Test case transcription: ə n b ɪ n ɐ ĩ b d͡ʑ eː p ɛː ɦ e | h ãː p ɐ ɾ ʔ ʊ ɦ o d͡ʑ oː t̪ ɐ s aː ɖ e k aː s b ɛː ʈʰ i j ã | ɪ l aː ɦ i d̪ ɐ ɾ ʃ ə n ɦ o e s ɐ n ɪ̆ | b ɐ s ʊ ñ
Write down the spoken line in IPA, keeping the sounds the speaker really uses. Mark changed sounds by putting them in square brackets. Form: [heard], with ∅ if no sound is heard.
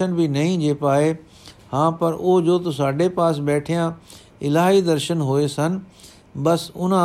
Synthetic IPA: ə n b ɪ n ɐ ĩ [∅] d͡ʑ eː p [aː] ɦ e | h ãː p ɐ ɾ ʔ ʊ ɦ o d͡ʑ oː t̪ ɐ s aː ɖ e [p] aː s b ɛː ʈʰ i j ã | ɪ l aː ɦ i d̪ ɐ ɾ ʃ ə n ɦ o e s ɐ n ɪ̆ | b ɐ s ʊ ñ